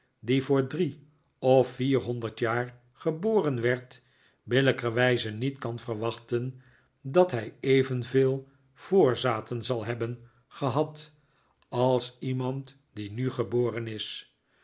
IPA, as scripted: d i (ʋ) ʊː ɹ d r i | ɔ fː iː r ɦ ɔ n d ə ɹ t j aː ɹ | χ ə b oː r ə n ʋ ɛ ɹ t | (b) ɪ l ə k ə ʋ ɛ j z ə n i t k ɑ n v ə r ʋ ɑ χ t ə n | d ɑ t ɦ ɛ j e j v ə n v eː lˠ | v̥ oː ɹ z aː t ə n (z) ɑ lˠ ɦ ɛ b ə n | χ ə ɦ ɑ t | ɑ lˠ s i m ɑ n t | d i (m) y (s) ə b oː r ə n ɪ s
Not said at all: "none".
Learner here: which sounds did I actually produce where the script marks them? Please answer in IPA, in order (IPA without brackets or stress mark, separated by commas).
v, b, z, n, χ